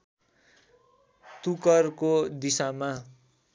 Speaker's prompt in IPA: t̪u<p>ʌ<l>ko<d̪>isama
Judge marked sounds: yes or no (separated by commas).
no, no, yes